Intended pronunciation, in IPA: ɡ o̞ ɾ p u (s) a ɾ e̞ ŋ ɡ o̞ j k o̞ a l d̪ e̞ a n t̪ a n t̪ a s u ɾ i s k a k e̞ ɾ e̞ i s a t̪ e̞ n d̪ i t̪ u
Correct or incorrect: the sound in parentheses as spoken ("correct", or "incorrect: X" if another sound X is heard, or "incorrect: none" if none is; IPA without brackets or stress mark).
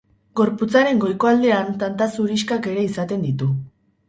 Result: incorrect: t͡s